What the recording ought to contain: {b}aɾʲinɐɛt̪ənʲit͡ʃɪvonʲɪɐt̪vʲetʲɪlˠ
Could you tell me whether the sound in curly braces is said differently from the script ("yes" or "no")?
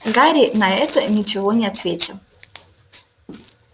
yes